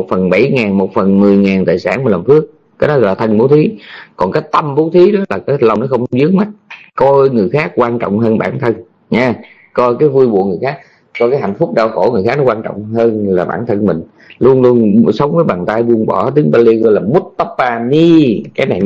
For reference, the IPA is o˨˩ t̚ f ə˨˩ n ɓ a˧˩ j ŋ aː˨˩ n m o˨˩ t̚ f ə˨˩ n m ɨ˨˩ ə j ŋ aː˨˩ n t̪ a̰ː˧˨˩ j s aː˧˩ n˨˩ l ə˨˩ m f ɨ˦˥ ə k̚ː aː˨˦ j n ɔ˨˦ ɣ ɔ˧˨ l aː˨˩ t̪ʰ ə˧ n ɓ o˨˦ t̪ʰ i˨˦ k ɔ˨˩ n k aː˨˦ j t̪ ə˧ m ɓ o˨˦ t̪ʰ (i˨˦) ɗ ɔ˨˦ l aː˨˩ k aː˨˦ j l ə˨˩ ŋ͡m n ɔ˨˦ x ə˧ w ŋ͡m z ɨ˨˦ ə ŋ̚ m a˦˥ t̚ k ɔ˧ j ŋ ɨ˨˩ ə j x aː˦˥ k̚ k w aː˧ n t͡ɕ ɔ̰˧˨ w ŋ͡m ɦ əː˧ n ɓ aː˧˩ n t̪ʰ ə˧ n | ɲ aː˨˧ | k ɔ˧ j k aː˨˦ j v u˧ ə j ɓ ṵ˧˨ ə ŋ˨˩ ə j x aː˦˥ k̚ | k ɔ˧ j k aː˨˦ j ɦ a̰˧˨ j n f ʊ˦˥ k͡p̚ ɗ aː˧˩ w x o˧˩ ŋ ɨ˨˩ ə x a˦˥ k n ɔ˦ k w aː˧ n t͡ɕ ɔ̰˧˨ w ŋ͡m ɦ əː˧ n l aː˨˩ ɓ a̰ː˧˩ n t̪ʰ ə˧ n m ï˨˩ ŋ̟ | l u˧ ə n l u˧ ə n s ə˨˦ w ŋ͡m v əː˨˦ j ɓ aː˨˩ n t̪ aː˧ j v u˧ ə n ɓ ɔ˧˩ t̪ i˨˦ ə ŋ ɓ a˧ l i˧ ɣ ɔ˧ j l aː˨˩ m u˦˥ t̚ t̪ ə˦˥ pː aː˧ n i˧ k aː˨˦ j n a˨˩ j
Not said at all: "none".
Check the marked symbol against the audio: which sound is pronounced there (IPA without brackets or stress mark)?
i˨˦